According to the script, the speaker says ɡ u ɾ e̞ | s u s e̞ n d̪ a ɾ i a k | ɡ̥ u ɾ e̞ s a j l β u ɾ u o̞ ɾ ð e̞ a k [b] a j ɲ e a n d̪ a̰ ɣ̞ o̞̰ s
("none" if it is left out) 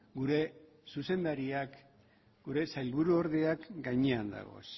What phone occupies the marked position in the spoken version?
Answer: ɡ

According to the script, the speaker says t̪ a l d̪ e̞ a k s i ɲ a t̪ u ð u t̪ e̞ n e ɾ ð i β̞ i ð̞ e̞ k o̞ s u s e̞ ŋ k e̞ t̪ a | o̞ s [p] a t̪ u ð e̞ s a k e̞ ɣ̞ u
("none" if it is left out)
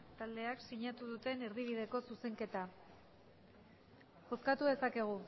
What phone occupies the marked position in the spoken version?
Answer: k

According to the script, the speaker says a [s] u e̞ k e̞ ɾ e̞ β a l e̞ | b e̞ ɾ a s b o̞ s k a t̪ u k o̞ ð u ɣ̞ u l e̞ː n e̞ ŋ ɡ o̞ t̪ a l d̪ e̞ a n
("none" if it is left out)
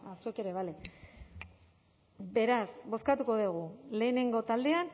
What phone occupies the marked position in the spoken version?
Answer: s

